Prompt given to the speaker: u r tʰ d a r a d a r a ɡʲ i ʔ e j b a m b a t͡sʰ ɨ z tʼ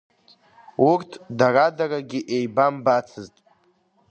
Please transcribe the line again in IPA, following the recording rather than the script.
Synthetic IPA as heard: u r tʰ d a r a d a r a ɡʲ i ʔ e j b a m b a t͡sʰ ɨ z tʼ